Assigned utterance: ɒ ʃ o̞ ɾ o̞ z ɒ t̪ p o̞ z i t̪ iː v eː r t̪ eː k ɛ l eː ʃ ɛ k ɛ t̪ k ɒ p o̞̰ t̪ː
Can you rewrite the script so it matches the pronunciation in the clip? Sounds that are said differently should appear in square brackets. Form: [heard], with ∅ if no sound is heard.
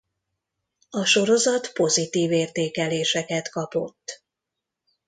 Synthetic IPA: ɒ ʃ o̞ ɾ o̞ z ɒ t̪ p o̞ z i t̪ iː v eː r t̪ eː k ɛ l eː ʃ ɛ k ɛ t̪ k ɒ p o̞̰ t̪ː